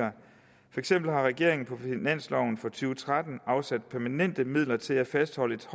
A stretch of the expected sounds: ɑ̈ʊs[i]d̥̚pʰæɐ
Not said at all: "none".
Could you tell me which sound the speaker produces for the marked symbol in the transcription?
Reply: æ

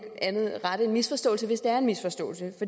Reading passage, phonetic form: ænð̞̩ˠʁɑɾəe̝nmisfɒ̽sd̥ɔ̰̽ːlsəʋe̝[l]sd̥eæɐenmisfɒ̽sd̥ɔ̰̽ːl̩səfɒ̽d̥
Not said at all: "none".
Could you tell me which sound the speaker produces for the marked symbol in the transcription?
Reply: none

